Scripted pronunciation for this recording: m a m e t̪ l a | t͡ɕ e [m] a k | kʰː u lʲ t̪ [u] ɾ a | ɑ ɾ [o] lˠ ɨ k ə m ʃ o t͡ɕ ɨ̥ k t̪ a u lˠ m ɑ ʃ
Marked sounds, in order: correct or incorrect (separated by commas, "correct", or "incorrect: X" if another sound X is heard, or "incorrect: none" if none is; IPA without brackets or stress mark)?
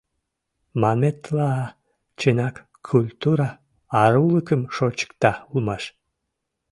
incorrect: n, correct, incorrect: u